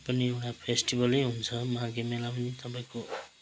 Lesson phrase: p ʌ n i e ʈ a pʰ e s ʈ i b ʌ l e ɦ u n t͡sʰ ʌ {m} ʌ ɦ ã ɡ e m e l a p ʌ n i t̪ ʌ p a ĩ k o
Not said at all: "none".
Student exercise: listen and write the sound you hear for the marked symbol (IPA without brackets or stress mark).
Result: m